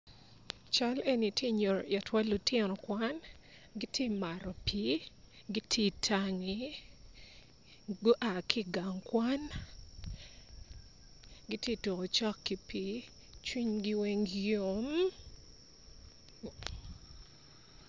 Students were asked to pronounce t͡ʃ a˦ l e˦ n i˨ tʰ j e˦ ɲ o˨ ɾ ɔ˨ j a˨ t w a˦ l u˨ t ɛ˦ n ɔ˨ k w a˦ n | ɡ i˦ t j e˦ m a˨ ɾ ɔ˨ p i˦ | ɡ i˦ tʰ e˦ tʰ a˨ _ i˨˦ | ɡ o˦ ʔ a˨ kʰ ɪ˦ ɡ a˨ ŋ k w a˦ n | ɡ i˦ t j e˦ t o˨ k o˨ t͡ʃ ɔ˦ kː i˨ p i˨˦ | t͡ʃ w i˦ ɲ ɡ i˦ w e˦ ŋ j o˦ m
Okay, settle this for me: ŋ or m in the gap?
ŋ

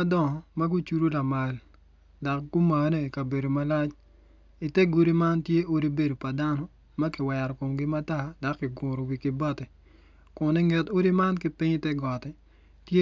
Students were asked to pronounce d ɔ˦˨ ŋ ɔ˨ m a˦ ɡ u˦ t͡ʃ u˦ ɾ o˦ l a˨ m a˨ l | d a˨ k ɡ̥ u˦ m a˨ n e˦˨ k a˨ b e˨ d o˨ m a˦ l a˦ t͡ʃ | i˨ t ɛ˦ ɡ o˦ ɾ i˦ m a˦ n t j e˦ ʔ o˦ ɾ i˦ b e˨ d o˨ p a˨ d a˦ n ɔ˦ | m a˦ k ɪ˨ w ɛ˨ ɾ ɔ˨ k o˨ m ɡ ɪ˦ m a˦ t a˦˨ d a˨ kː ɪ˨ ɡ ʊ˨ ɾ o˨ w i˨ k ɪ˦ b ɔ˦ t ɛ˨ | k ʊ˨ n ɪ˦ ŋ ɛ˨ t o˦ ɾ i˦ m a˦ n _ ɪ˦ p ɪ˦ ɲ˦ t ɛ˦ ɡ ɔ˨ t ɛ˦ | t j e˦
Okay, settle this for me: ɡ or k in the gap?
k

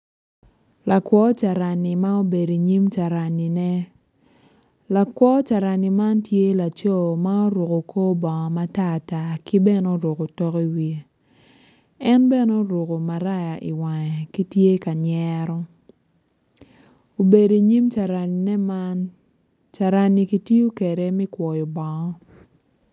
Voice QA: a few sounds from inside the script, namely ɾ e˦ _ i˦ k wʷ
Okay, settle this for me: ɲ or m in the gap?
m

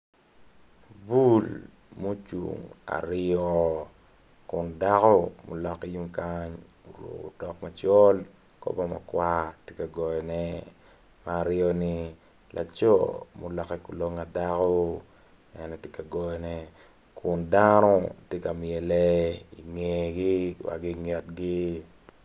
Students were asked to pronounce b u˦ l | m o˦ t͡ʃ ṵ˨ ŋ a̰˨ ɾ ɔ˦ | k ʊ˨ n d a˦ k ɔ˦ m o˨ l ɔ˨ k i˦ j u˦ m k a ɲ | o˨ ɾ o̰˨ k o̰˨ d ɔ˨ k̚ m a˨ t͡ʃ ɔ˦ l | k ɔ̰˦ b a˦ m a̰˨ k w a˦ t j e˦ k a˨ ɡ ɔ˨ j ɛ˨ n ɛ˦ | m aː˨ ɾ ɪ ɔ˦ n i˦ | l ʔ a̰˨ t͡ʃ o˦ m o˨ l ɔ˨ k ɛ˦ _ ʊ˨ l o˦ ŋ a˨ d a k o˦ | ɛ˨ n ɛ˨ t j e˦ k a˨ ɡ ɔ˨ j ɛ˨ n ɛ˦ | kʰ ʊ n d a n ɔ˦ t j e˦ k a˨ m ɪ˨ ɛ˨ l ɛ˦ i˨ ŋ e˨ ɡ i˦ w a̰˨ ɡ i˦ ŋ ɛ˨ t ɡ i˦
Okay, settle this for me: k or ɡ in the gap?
k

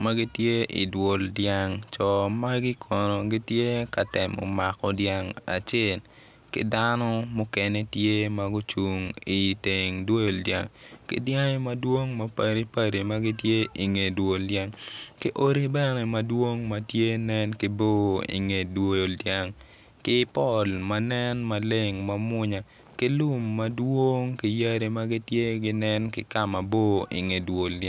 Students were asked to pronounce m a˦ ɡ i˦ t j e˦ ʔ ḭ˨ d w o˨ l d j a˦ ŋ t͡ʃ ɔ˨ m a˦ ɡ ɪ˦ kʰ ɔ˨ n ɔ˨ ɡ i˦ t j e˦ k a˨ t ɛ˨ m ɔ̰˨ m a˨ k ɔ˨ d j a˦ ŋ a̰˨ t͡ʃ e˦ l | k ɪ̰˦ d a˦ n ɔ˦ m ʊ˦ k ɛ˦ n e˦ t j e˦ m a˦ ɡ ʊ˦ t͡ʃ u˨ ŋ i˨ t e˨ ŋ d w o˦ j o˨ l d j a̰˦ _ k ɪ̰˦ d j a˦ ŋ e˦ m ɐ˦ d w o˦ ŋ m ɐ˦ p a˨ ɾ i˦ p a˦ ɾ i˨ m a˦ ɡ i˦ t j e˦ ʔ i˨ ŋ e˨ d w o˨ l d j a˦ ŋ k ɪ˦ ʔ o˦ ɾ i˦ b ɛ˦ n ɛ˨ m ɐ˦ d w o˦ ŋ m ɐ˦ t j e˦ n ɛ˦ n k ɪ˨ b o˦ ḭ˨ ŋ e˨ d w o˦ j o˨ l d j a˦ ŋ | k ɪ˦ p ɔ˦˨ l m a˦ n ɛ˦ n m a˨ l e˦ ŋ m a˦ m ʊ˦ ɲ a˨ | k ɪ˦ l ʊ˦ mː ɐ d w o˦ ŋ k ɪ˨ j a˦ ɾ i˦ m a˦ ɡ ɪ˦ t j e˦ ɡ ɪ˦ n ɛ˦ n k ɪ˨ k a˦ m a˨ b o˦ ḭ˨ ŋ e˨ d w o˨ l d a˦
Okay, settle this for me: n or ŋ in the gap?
ŋ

